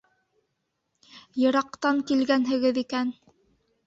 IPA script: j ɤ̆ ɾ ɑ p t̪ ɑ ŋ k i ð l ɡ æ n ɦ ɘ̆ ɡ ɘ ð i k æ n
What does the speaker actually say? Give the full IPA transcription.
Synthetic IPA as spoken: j ɤ̆ ɾ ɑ q t̪ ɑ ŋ k i l ɡ æ n ɦ ɘ̆ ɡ ɘ ð i k æ n